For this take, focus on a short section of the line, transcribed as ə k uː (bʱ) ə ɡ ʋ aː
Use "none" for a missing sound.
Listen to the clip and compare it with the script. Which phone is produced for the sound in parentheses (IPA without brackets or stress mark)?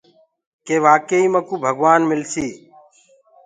bʱ